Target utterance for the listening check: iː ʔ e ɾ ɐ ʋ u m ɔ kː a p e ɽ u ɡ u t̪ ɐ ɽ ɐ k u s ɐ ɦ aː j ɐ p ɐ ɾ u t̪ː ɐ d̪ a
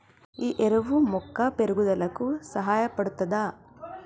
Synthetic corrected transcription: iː ʔ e ɾ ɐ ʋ u m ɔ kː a p e ɾ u ɡ u d̪ ɐ l ɐ k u s ɐ ɦ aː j ɐ p ɐ ɽ u t̪ː ɐ d̪ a